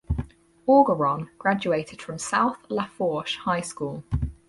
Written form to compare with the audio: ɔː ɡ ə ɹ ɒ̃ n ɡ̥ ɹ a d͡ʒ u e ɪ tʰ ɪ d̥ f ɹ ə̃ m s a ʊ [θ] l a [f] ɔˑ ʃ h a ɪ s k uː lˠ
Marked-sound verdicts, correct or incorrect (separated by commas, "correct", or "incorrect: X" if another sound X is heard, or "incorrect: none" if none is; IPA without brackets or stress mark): correct, correct